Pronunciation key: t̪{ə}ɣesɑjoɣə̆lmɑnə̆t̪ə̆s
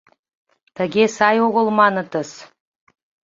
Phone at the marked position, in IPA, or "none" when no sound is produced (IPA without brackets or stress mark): ə